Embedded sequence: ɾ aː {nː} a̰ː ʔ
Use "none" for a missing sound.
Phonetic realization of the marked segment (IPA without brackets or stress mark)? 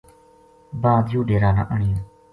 n